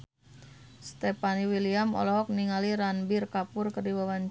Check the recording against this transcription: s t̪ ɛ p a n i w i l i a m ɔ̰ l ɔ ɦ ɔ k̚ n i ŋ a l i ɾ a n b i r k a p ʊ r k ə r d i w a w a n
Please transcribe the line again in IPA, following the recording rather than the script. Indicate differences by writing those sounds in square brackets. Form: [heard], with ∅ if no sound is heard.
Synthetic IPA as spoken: s t̪ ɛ p a n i w i l i a m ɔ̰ l ɔ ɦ ɔ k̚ n i ŋ a l i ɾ a n b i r k a p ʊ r k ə r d i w a w a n